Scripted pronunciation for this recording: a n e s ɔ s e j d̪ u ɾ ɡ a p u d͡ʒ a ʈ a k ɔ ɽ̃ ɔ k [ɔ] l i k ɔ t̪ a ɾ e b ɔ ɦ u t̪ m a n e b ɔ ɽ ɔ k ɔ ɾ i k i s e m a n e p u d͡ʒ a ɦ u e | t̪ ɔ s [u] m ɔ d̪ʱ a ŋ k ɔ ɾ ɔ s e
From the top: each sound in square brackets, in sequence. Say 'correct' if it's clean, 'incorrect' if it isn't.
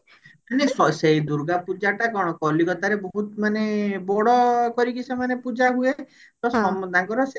correct, incorrect: ɔ

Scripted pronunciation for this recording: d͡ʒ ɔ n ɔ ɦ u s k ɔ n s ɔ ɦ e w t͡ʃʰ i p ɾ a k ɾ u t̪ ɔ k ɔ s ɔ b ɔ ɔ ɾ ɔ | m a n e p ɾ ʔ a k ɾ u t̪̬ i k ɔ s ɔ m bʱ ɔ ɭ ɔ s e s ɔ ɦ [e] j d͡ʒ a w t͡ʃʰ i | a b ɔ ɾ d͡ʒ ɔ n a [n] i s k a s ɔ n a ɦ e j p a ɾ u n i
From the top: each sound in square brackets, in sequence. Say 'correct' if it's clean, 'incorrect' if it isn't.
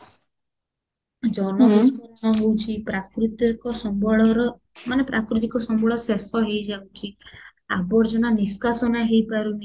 correct, correct

